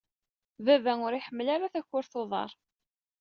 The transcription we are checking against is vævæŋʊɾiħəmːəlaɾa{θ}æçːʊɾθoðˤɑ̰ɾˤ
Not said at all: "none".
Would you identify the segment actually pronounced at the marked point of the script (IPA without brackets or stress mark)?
θ